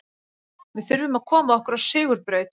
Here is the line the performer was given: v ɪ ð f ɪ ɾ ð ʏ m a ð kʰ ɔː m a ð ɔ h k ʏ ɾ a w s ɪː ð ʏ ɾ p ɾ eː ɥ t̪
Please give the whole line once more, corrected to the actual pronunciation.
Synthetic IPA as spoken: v ɪ ð f ɪ ɾ v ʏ m a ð kʰ ɔː m a ð ɔ h k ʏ ɾ a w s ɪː ɣ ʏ ɾ p ɾ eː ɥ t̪